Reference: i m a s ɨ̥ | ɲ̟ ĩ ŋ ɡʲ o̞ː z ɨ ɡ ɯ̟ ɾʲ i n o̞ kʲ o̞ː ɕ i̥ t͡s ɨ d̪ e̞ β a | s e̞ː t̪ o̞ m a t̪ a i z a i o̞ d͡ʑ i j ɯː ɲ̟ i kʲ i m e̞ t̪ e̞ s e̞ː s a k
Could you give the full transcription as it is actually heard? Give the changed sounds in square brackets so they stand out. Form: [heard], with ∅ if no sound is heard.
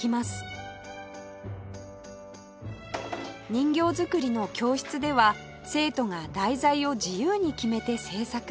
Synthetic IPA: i m a s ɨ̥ | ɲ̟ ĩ ŋ ɡʲ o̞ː z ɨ [k] ɯ̟ ɾʲ i n o̞ kʲ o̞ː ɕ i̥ t͡s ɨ d̪ e̞ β a | s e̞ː t̪ o̞ [ŋ] a [d̪] a i z a i o̞ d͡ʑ i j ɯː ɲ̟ i kʲ i m e̞ t̪ e̞ s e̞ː s a k